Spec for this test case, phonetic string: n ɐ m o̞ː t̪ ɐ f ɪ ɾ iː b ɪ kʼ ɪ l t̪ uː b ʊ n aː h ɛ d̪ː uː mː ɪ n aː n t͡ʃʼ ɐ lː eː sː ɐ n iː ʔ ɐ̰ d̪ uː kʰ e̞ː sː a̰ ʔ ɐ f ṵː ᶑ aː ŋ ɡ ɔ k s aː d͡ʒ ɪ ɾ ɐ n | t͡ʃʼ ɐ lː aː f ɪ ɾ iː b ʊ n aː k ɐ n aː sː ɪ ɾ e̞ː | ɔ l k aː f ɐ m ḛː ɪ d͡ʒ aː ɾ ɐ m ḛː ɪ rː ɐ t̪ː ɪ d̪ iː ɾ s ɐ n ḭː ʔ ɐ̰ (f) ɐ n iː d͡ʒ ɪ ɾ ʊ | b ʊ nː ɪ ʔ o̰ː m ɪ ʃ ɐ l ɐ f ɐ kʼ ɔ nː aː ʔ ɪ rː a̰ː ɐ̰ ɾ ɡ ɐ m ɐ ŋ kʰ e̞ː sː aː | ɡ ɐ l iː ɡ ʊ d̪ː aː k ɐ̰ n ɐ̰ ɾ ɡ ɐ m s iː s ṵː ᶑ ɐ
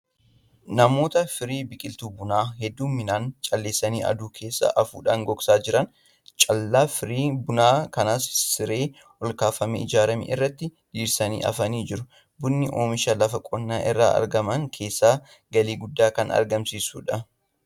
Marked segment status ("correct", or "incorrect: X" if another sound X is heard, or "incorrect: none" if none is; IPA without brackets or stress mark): correct